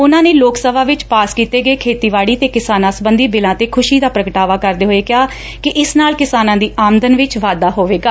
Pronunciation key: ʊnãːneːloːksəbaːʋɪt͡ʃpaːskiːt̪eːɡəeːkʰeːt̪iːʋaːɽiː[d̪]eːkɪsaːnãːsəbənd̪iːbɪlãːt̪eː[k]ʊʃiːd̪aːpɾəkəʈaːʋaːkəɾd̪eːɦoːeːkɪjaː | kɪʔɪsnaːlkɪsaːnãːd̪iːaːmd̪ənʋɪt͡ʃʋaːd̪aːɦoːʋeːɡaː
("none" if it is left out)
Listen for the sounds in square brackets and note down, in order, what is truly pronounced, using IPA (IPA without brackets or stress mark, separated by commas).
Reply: t̪, kʰ